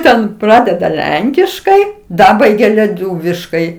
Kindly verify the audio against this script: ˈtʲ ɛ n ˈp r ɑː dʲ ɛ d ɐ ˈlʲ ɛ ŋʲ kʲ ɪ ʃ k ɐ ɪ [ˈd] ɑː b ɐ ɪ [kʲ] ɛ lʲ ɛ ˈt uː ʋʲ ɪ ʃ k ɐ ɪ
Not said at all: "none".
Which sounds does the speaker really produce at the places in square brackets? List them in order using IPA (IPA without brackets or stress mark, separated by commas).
d, ɡʲ